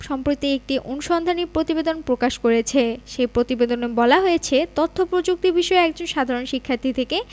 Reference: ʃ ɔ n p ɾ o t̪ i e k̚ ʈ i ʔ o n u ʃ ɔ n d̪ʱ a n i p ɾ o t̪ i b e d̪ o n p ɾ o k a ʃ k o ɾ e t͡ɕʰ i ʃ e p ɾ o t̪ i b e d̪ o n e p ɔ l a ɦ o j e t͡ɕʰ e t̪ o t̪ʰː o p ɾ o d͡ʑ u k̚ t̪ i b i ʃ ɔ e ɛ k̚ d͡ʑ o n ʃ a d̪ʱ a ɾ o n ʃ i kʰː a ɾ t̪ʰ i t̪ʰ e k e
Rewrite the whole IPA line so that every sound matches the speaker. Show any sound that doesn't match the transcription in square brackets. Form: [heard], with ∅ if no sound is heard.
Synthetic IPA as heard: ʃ ɔ [m] p ɾ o t̪ i e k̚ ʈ i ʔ o n u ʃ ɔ n d̪ʱ a n i p ɾ o t̪ i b e d̪ o n p ɾ o k a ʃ k o ɾ e t͡ɕʰ [e] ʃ e p ɾ o t̪ i b e d̪ o n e [b] ɔ l a ɦ o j e t͡ɕʰ e t̪ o t̪ʰː o p ɾ o d͡ʑ u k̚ t̪ i b i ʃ ɔ e ɛ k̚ d͡ʑ o n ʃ a d̪ʱ a ɾ o n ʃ i kʰː a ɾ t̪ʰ i t̪ʰ e k e